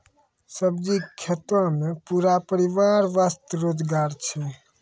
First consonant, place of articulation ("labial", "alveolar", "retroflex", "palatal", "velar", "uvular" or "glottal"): alveolar